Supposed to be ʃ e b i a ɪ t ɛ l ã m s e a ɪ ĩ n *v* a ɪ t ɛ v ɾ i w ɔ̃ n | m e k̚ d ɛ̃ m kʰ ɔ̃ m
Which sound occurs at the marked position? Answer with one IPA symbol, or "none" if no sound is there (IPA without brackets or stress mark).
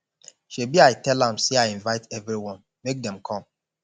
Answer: v